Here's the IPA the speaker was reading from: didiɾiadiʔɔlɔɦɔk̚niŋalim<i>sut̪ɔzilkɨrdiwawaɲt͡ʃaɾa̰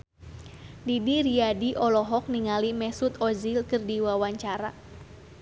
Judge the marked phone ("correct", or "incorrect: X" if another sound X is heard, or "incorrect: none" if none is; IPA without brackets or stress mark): incorrect: ɛ